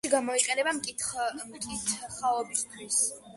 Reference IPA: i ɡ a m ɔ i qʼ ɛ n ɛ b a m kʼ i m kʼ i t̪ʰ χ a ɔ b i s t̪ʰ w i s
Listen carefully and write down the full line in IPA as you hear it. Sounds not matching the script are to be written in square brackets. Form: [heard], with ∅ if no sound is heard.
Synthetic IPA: i ɡ a m ɔ i qʼ ɛ n ɛ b a m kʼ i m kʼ i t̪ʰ χ a ɔ b i s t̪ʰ w i s